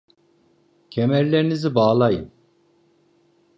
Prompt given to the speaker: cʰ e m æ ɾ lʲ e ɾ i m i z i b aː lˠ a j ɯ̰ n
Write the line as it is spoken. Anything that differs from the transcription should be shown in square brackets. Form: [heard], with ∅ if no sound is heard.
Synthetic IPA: cʰ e m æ ɾ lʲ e ɾ i [n] i z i b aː lˠ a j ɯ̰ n